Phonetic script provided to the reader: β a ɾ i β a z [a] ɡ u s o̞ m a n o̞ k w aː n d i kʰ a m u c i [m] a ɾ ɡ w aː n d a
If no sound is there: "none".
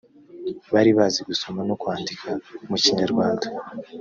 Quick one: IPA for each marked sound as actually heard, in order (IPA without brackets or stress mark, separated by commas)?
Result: i, ɲ